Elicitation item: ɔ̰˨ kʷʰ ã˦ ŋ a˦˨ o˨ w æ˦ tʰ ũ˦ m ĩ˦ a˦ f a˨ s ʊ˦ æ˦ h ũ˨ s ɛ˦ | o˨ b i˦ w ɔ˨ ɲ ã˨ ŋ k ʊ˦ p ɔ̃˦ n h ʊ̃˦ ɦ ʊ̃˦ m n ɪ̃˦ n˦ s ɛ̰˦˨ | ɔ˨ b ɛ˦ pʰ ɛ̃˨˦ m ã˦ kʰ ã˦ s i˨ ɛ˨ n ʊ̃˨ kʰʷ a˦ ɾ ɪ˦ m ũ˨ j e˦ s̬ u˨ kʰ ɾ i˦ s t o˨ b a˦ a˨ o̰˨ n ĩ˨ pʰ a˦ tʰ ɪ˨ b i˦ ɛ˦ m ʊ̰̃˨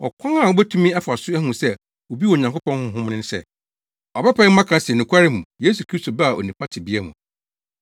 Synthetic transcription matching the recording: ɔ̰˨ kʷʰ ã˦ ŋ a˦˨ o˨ b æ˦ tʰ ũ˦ m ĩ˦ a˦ f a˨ s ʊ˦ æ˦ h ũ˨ s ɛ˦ | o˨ b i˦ w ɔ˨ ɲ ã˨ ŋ k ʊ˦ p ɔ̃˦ n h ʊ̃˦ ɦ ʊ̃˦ m n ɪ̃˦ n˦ s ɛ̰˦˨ | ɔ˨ b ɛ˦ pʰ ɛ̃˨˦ m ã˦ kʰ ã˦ s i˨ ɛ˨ n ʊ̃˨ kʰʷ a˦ ɾ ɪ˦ m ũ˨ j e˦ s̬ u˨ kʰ ɾ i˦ s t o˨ b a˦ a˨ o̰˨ n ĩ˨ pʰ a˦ tʰ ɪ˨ b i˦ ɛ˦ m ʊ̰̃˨